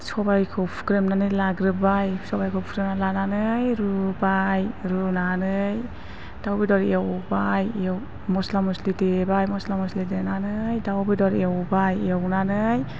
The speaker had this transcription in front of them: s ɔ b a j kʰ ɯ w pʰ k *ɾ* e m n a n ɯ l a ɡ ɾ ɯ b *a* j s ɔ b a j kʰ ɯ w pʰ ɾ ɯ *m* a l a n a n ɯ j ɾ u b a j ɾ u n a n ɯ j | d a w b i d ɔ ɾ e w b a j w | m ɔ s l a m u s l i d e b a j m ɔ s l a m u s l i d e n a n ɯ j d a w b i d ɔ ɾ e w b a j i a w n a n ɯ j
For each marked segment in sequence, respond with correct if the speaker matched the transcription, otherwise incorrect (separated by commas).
correct, correct, incorrect